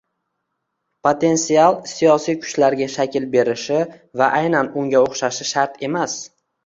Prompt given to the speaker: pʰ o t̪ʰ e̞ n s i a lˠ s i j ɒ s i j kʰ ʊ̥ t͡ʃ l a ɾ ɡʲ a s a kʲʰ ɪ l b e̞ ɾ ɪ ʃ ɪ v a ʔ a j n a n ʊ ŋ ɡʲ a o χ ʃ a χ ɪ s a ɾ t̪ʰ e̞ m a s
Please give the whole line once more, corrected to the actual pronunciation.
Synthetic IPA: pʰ o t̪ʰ e̞ n s i a lˠ s i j ɒ s i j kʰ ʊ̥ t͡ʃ l a ɾ ɡʲ a ʃ a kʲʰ ɪ l b e̞ ɾ ɪ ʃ ɪ v a ʔ a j n a n ʊ ŋ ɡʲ a o χ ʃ a ʃ ɪ ʃ a ɾ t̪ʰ e̞ m a s